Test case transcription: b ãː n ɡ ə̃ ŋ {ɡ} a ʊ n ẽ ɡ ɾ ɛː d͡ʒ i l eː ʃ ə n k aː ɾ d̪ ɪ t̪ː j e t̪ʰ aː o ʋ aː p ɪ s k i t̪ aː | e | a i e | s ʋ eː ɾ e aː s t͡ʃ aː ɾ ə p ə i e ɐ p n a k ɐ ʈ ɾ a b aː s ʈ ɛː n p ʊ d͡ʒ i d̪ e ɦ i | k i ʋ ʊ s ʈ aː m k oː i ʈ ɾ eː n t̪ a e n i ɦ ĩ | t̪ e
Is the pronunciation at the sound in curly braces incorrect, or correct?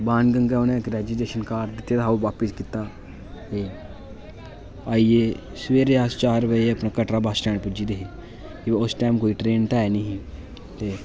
correct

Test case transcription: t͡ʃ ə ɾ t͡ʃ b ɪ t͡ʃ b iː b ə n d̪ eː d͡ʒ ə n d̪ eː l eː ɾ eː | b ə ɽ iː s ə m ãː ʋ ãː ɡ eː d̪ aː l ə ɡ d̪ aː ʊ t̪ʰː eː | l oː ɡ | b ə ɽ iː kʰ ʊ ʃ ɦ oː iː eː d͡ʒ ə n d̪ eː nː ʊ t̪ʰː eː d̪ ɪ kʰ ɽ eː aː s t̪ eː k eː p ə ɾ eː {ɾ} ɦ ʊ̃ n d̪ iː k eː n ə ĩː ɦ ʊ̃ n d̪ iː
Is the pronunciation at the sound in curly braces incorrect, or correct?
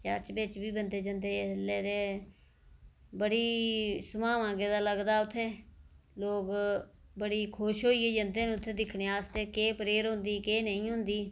correct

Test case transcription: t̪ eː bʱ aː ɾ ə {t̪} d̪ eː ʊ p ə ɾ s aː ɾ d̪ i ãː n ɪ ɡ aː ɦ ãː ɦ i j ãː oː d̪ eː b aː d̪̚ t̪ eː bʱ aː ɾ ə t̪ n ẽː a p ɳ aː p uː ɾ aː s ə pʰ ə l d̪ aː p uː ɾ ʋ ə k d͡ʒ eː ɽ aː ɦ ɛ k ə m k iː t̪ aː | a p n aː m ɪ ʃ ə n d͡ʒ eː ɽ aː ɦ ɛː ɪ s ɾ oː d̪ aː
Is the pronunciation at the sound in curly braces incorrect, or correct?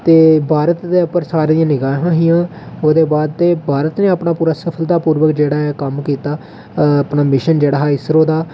correct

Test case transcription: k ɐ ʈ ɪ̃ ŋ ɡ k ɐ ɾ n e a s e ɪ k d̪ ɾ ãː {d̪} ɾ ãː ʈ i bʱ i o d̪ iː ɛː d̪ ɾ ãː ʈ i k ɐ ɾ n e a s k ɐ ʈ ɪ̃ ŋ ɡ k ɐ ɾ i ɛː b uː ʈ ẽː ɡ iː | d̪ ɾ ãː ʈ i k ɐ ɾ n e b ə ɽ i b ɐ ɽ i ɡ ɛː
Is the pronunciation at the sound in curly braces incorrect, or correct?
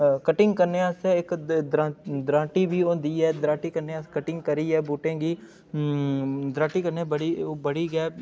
correct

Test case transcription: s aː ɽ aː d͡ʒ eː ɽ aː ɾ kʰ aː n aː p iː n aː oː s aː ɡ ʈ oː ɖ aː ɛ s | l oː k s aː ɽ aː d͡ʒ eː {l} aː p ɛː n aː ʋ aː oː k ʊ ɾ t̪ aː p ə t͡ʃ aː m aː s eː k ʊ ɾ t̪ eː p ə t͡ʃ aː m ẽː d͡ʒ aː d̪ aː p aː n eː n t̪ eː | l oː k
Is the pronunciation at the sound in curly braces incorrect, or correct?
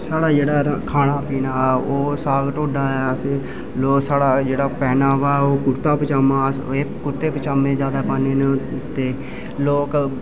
incorrect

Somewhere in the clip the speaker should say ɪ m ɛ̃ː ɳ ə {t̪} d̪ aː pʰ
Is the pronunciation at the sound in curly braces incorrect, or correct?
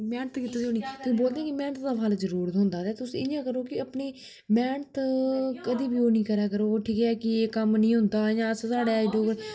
correct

